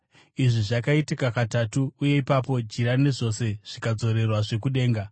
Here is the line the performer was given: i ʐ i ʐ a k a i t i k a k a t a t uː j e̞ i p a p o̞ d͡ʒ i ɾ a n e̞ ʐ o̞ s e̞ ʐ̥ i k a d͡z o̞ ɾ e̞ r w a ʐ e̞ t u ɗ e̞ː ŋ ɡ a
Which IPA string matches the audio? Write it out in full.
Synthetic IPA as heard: i ʐ i ʐ a k a i t i k a k a t a t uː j e̞ i p a p o̞ d͡ʒ i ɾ a n e̞ ʐ o̞ s e̞ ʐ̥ i k a d͡z o̞ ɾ e̞ r w a ʐ e̞ k u ɗ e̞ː ŋ ɡ a